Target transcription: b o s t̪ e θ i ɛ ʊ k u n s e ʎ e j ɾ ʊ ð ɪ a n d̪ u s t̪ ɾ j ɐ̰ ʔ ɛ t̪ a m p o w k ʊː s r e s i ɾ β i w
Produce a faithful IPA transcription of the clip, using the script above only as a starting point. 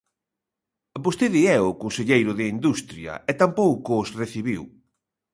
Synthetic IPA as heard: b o s t̪ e ð i ɛ ʊ k o n s e ʎ e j ɾ ʊ ð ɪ i n d̪ u s t̪ ɾ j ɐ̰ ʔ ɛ t̪ a m p o w k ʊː s r e θ i β i w

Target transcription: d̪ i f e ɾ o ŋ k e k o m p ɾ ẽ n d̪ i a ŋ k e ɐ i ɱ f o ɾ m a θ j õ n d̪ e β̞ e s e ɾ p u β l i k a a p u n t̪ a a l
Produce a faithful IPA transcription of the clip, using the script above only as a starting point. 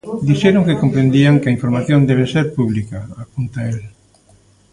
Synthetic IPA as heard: d̪ i ʃ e ɾ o ŋ k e k o m p ɾ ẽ n d̪ i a ŋ k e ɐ i ɱ f o ɾ m a θ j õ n d̪ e β̞ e s e ɾ p u β l i k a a p u n t̪ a e l

